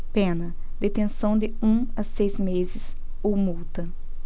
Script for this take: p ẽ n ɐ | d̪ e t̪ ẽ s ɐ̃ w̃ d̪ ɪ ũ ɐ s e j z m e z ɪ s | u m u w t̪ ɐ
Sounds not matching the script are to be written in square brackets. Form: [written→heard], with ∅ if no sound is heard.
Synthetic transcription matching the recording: p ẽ n ɐ | d̪ e t̪ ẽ s ɐ̃ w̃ d̪ ɪ ũ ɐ s e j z m e z ɪ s | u m u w t̪ ɐ